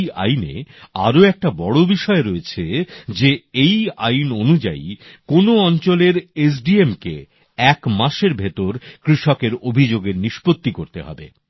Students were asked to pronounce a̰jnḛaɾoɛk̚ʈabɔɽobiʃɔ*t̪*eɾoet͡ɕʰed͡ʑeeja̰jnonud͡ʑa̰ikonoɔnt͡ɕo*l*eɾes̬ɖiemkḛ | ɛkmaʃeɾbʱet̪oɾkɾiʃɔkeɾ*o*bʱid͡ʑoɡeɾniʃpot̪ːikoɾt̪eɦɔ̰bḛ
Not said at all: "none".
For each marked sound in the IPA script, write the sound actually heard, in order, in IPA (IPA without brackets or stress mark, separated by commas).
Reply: none, l, o